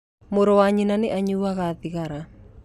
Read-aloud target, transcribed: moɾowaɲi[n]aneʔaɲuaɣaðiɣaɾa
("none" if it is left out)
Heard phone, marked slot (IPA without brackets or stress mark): n